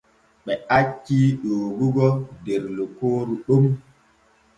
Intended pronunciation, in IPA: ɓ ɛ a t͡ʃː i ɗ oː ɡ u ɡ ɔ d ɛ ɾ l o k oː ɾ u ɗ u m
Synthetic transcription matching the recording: ɓ ɛ a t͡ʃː i ɗ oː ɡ u ɡ ɔ d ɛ ɾ l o k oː ɾ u ɗ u m